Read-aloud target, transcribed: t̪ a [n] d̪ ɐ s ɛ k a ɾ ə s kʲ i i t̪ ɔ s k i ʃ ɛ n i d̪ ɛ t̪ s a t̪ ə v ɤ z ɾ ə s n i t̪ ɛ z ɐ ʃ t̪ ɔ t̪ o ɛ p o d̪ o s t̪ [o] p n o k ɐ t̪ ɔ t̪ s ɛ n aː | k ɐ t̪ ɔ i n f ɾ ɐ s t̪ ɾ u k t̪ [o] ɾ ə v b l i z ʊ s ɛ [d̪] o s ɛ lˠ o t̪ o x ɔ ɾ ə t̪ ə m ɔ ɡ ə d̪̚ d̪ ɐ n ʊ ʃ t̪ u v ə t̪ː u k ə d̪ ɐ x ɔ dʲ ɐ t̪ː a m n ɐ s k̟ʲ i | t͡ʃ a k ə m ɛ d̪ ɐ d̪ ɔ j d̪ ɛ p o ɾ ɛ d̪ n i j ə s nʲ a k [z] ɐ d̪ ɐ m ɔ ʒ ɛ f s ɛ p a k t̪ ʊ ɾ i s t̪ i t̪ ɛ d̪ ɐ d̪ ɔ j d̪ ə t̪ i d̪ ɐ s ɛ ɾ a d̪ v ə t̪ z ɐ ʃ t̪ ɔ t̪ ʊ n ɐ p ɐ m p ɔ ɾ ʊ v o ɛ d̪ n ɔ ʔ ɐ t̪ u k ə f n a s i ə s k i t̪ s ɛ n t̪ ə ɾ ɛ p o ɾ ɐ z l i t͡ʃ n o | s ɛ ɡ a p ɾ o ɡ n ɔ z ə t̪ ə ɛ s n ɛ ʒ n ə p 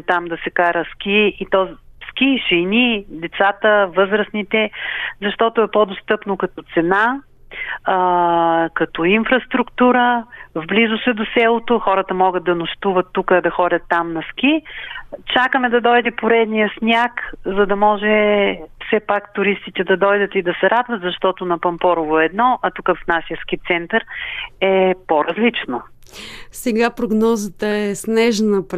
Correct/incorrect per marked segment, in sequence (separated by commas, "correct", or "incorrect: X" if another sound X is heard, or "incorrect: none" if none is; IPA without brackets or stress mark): incorrect: m, incorrect: ɤ, incorrect: u, correct, correct